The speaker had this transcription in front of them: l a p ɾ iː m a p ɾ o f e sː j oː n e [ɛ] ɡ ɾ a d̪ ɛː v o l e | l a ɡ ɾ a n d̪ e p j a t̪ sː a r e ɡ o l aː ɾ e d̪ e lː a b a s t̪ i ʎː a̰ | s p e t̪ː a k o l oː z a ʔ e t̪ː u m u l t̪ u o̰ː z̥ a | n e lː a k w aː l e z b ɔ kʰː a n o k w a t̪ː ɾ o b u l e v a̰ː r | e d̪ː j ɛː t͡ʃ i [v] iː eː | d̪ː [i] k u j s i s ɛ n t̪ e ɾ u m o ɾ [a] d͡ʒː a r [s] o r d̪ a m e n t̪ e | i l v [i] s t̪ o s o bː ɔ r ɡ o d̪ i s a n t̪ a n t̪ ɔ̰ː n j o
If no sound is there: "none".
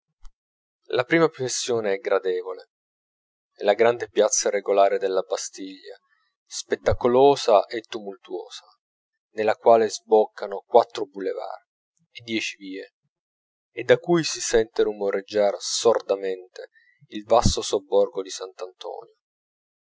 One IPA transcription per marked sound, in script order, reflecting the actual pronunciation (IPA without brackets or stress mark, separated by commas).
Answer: ɛ, v, a, e, s, a